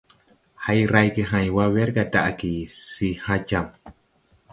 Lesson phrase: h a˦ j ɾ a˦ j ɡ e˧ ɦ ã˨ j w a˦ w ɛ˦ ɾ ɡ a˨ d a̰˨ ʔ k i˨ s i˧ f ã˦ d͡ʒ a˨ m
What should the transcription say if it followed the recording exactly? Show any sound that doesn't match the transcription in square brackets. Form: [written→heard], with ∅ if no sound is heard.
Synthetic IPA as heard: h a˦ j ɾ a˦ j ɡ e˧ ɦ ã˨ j w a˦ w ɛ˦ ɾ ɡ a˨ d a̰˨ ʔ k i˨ s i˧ [f→h] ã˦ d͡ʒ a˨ m